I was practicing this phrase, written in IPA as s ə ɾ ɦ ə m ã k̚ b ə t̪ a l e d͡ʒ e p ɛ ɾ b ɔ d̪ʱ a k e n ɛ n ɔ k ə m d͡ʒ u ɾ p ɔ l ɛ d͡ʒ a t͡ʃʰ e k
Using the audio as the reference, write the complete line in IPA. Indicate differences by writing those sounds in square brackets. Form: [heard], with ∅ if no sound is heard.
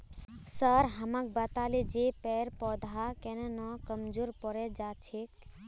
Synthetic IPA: s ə ɾ ɦ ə m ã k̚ b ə t̪ a l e d͡ʒ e p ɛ ɾ [p] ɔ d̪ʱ a k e n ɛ n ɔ k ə m d͡ʒ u ɾ p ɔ [ɾ] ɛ d͡ʒ a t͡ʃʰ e k

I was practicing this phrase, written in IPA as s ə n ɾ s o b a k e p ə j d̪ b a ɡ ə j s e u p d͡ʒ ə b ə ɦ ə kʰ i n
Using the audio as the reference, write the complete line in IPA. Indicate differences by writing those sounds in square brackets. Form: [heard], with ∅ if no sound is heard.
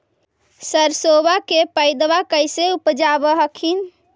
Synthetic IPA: s ə [∅] ɾ s o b a k e p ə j d̪ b a [k] ə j s e u p d͡ʒ [a] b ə ɦ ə kʰ i n

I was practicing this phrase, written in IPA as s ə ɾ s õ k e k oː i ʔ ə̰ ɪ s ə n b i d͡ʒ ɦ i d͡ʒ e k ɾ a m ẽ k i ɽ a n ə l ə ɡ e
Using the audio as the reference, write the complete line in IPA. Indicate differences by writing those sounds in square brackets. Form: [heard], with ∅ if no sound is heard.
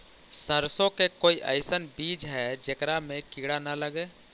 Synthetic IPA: s ə ɾ s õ k e k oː i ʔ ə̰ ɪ s ə n b i d͡ʒ ɦ [ɛ] d͡ʒ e k ɾ a m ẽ k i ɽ a n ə l ə ɡ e

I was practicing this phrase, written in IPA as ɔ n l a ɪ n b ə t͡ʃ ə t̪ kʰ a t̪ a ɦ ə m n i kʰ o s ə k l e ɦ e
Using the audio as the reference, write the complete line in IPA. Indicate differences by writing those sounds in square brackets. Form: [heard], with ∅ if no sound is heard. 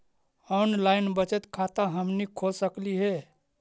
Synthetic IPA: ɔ n l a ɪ n b ə t͡ʃ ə t̪ kʰ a t̪ a ɦ ə m n i kʰ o s ə k l [i] ɦ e

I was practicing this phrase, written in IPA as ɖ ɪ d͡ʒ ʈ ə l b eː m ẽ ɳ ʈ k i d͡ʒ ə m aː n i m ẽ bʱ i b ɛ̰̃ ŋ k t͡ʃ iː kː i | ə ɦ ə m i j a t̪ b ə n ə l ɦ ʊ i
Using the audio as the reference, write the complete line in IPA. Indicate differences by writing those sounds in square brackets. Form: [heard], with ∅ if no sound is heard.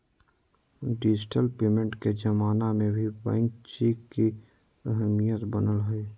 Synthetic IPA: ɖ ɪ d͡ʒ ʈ ə l [p] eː m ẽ ɳ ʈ k [e] d͡ʒ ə m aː n [a] m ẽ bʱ i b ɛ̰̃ ŋ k t͡ʃ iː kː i | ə ɦ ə m i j [ə] t̪ b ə n ə l ɦ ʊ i

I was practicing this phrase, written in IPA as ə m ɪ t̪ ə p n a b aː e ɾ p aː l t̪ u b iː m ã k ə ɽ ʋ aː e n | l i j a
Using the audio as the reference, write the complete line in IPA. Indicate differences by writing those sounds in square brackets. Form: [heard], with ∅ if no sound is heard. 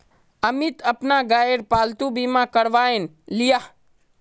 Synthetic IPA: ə m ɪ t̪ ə p n a [ɡ] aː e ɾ p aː l t̪ u b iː m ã k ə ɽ ʋ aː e n | l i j a

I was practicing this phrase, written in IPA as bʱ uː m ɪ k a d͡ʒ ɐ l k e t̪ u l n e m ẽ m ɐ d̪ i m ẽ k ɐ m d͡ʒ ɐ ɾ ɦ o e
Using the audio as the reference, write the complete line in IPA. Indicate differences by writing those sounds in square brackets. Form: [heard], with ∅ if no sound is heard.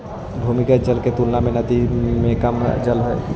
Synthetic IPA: bʱ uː m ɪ k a d͡ʒ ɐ l k e t̪ u l n [a] m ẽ [n] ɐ d̪ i m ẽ k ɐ m d͡ʒ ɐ [l] ɦ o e

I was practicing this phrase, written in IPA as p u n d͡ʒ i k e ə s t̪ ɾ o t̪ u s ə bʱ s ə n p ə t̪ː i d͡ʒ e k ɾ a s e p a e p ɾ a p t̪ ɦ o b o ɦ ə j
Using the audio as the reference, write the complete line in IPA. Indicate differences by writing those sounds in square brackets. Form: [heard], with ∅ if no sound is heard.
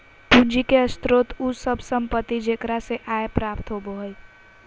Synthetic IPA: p u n d͡ʒ i k e ə s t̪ ɾ o t̪ u s ə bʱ s ə [m] p ə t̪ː i d͡ʒ e k ɾ a s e [ʔ] a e p ɾ a p t̪ ɦ o b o ɦ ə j

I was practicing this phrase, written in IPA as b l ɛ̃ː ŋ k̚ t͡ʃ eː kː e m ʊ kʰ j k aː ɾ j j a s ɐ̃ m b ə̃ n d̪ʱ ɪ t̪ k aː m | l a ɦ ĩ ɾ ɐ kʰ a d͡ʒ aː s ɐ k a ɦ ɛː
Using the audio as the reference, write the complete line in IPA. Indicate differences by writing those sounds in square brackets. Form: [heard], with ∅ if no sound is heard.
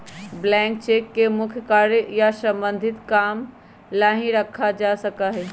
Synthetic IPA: b l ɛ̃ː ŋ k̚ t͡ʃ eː kː e m ʊ kʰ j k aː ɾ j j a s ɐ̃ m b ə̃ n d̪ʱ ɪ t̪ k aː m | l a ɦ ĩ ɾ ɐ kʰ a d͡ʒ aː s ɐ k a ɦ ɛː

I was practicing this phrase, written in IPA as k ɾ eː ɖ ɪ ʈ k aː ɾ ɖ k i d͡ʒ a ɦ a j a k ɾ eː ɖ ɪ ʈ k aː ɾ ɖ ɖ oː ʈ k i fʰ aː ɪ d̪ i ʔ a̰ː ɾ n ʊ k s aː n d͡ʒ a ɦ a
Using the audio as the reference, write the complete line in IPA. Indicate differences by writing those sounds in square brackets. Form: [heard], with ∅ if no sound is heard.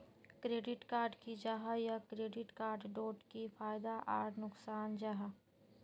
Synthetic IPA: k ɾ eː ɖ ɪ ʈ k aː ɾ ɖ k i d͡ʒ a ɦ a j a k ɾ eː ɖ ɪ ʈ k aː ɾ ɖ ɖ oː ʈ k i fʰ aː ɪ d̪ [a] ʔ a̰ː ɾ n ʊ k s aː n d͡ʒ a ɦ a

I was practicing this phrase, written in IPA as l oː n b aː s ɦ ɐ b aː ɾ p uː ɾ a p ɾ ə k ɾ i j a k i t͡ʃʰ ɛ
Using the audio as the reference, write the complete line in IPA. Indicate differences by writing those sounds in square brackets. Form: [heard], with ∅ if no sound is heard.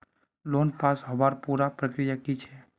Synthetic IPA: l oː n [p] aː s ɦ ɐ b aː ɾ p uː ɾ a p ɾ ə k ɾ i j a k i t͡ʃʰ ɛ

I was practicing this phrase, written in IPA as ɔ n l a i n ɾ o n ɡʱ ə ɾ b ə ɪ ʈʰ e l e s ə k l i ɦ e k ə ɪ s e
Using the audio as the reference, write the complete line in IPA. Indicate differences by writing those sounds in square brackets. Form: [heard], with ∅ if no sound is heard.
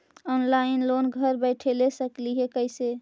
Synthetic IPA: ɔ n l a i n [l] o n ɡʱ ə ɾ b ə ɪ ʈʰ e l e s ə k l i ɦ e k ə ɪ s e

